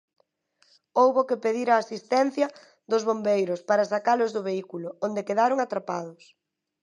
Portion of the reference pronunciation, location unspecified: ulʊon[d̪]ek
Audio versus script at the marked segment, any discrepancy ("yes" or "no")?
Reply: no